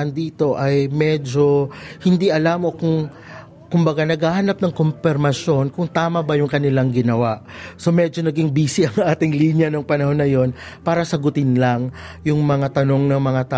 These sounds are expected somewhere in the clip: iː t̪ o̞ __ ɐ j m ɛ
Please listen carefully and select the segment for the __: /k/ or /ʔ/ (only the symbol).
ʔ